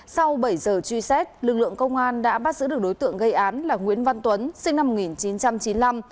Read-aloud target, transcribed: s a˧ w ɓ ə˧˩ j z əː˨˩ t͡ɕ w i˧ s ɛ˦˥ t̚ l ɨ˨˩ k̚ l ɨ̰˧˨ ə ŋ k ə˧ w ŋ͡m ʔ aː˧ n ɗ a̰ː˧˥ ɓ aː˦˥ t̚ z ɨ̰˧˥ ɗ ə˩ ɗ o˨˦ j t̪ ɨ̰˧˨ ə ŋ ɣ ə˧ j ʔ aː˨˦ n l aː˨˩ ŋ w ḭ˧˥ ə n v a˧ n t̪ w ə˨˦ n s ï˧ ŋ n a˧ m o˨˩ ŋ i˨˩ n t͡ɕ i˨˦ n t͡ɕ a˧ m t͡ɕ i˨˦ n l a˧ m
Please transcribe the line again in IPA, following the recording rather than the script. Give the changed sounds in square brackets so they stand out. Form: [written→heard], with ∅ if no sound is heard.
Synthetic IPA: s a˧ w ɓ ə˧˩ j z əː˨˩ t͡ɕ w i˧ s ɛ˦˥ t̚ l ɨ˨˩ k̚ l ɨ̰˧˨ ə ŋ k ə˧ w ŋ͡m ʔ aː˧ n ɗ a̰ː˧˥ ɓ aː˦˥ t̚ z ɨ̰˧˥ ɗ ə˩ ɗ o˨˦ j t̪ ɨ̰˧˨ ə ŋ ɣ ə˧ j ʔ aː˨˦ n l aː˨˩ ŋ w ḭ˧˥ ə n v a˧ n t̪ w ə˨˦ n s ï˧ ŋ n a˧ m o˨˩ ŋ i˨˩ n t͡ɕ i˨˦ n t͡ɕ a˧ m t͡ɕ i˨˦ n l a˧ m

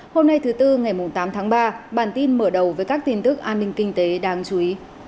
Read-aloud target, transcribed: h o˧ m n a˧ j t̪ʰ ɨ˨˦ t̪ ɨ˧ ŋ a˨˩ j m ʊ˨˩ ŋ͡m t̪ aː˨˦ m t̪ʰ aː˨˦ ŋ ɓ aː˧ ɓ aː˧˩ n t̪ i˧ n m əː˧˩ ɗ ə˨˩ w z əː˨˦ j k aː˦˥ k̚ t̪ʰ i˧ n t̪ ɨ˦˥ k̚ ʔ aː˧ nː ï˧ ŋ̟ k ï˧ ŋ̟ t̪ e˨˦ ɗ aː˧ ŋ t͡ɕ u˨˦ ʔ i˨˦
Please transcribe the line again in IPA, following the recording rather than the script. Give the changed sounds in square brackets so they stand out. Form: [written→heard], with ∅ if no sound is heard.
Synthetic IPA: h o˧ m n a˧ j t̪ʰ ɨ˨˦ t̪ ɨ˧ ŋ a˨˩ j m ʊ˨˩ ŋ͡m t̪ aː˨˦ m t̪ʰ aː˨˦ ŋ ɓ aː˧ ɓ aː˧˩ n t̪ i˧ n m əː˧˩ ɗ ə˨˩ w [z→v] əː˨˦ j k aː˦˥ k̚ [t̪ʰ→t̪] i˧ n t̪ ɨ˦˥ k̚ ʔ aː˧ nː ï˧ ŋ̟ k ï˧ ŋ̟ t̪ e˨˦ ɗ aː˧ ŋ t͡ɕ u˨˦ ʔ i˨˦

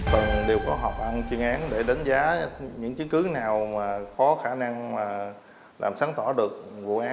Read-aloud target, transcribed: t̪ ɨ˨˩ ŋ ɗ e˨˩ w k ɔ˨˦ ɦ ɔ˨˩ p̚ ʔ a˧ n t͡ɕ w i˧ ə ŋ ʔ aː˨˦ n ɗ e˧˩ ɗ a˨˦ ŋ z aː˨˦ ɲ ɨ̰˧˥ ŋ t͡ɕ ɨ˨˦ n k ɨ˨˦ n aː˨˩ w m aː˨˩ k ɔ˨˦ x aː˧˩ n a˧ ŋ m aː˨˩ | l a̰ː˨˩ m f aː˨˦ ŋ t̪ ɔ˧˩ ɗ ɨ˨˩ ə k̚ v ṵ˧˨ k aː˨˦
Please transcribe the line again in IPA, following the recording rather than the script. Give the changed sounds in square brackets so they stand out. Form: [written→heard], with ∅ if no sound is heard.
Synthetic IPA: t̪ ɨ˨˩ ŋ ɗ e˨˩ w k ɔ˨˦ ɦ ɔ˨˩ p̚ ʔ a˧ n t͡ɕ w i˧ ə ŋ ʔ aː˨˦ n ɗ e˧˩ ɗ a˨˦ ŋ z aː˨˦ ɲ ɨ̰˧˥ ŋ t͡ɕ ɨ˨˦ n k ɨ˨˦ n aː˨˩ w m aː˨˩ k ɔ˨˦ x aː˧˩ n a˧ ŋ m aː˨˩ | l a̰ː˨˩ m [f→s] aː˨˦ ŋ t̪ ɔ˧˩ ɗ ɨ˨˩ ə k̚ v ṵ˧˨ [k→ʔ] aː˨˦

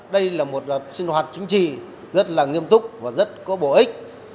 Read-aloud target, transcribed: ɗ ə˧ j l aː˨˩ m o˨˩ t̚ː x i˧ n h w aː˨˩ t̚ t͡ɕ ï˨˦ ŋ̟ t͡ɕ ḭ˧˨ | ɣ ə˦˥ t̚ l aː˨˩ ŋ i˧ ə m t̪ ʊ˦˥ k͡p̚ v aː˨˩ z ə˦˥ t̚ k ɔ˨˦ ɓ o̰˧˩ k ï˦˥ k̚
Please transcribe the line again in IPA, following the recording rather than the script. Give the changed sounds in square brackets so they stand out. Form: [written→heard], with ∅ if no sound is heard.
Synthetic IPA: ɗ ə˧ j l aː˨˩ m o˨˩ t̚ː [x→s] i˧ n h w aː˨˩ t̚ t͡ɕ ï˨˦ ŋ̟ t͡ɕ ḭ˧˨ | [ɣ→z] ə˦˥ t̚ l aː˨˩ ŋ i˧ ə m t̪ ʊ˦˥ k͡p̚ v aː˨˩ z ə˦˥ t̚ k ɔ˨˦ ɓ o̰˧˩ [k→ʔ] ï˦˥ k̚

